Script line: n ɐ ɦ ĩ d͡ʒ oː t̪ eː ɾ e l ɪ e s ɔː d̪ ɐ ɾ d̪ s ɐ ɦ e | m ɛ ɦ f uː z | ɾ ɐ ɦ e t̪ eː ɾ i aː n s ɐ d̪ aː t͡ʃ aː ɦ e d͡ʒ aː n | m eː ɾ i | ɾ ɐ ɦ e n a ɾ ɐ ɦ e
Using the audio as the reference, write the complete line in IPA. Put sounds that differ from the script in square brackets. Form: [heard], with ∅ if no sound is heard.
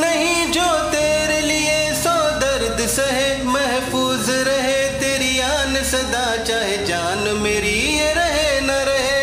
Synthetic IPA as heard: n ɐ ɦ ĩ d͡ʒ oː t̪ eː ɾ e l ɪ e s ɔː d̪ ɐ ɾ d̪ s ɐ ɦ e | m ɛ ɦ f uː z | ɾ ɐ ɦ e t̪ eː ɾ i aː n s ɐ d̪ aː t͡ʃ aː ɦ e d͡ʒ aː n | m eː ɾ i | ɾ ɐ ɦ e n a ɾ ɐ ɦ e